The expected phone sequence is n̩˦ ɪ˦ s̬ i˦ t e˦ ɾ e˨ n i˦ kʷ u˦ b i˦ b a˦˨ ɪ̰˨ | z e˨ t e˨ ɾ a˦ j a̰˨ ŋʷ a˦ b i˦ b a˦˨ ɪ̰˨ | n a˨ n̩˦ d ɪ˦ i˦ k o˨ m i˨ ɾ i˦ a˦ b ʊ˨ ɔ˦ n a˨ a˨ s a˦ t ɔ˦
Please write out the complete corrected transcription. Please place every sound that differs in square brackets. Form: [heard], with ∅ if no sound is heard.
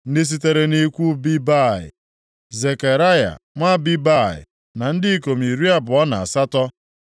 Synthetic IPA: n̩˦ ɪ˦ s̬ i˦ t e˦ ɾ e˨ n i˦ kʷ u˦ b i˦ b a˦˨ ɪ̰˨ | z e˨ [k] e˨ ɾ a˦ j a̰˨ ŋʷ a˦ b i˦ b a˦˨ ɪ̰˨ | n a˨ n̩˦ d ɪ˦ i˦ k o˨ m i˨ ɾ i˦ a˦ b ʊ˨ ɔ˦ n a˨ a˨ s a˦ t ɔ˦